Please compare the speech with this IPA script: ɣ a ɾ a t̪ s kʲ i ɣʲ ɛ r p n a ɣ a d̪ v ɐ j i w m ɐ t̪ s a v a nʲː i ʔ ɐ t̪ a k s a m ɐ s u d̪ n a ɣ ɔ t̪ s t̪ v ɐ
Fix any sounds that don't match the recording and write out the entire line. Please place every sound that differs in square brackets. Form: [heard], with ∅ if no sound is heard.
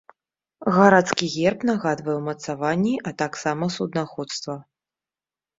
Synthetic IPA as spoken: ɣ a ɾ a t̪ s kʲ i ɣʲ ɛ r p n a ɣ a d̪ v ɐ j [ɛ] w m ɐ t̪ s a v a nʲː i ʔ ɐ t̪ a k s a m ɐ s u d̪ n a [x] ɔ t̪ s t̪ v ɐ